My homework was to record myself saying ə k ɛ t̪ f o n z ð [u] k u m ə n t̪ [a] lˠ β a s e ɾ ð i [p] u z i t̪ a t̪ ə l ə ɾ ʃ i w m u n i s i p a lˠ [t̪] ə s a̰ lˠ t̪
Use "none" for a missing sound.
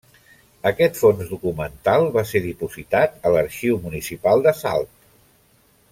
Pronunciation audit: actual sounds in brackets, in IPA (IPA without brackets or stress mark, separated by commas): u, a, p, d̪